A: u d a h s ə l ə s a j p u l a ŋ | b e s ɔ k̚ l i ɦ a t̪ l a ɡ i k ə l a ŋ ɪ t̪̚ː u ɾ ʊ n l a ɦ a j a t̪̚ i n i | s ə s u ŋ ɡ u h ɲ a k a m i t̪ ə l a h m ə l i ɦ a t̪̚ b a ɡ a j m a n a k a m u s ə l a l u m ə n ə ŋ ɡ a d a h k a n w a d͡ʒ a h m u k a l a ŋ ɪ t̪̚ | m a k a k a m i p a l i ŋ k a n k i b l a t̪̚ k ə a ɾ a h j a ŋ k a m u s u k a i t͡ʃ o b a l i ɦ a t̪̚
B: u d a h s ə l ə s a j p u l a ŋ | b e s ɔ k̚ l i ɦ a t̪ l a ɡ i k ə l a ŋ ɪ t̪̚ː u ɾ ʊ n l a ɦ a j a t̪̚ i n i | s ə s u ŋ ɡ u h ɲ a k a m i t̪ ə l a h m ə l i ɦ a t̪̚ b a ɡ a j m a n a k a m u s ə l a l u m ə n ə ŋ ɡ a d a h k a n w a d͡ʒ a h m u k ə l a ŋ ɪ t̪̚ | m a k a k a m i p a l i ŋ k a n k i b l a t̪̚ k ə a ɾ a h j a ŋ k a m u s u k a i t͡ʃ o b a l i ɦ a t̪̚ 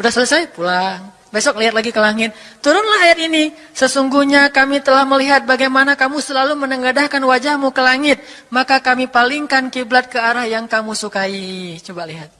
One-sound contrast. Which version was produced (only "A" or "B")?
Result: B